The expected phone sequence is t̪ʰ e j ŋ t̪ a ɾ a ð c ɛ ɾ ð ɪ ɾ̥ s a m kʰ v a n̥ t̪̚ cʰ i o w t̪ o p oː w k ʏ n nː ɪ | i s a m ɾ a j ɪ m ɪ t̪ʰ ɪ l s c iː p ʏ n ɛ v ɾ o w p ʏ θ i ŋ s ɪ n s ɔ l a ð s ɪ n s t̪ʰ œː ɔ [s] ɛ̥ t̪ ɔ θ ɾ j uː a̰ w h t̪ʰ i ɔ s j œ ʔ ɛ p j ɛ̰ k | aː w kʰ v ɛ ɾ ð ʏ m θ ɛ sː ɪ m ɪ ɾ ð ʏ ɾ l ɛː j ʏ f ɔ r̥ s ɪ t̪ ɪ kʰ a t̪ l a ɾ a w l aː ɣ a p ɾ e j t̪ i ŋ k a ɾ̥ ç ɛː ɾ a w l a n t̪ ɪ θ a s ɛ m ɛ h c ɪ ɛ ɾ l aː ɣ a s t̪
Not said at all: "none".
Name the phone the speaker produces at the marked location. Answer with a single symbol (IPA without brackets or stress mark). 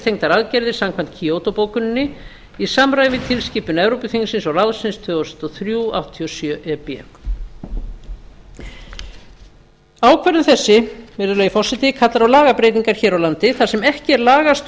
s